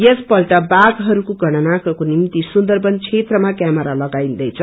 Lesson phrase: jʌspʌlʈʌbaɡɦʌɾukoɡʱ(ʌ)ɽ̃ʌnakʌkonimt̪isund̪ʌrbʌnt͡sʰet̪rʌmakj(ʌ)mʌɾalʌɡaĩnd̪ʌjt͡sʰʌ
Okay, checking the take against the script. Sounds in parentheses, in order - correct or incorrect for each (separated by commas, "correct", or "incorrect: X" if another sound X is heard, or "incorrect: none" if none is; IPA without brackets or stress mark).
correct, incorrect: a